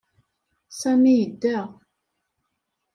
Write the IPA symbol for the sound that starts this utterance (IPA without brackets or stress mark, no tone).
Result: s